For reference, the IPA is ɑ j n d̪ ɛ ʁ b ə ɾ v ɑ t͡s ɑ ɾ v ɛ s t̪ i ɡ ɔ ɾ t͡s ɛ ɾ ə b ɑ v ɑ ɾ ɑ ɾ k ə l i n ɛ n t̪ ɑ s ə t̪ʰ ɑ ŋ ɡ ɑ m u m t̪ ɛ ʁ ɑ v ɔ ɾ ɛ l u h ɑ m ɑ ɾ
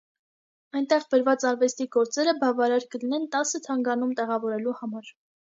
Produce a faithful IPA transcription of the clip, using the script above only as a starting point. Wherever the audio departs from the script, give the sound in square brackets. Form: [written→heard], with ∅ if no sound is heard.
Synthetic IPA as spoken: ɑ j n [d̪→t̪] ɛ ʁ b ə ɾ v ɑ t͡s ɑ ɾ v ɛ s t̪ i ɡ ɔ ɾ t͡s ɛ ɾ ə b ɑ v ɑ ɾ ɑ ɾ k ə l i n ɛ n t̪ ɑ s ə t̪ʰ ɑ ŋ ɡ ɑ [m→n] u m t̪ ɛ ʁ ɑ v ɔ ɾ ɛ l u h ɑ m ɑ ɾ